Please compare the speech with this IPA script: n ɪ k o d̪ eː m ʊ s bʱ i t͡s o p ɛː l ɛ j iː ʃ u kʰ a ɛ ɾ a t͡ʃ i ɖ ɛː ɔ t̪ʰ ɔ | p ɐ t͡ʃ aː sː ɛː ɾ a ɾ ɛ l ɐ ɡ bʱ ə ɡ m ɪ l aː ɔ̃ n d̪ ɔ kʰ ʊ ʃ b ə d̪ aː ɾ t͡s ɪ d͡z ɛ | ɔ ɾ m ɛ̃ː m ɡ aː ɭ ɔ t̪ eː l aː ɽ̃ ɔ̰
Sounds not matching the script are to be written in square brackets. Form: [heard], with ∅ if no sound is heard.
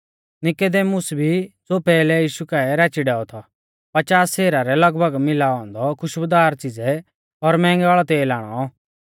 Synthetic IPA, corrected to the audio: n ɪ k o d̪ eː m ʊ s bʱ i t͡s o p ɛː l ɛ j iː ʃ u [k] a ɛ ɾ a t͡ʃ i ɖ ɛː ɔ t̪ʰ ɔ | p ɐ t͡ʃ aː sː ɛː ɾ a ɾ ɛ l ɐ ɡ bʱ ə ɡ m ɪ l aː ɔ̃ n d̪ ɔ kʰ ʊ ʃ b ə d̪ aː ɾ t͡s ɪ d͡z ɛ | ɔ ɾ m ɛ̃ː [ŋ] ɡ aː ɭ ɔ t̪ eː l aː ɽ̃ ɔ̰